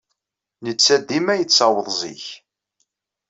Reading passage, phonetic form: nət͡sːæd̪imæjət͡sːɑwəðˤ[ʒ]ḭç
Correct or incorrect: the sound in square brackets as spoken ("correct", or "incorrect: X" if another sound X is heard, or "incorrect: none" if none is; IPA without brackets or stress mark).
incorrect: z